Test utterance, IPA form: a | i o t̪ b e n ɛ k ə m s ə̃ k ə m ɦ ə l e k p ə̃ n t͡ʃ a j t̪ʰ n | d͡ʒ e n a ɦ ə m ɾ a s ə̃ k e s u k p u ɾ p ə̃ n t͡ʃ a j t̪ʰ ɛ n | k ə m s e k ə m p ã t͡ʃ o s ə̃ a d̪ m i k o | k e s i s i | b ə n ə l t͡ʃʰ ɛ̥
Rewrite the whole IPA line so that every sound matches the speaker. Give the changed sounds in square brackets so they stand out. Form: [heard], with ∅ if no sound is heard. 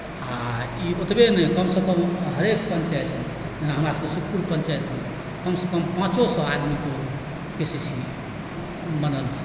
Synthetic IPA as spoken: a | i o t̪ b e n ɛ k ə m s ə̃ k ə m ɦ ə [ɾ] e k p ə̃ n t͡ʃ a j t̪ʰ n | d͡ʒ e n a ɦ ə m ɾ a s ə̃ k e s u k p u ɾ p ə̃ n t͡ʃ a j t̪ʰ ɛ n | k ə m s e k ə m p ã t͡ʃ o s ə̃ a d̪ m i k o | k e s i s i | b ə n ə l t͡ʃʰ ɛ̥